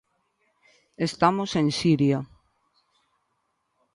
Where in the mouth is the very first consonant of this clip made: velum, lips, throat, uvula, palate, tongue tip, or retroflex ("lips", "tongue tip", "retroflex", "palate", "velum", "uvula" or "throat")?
tongue tip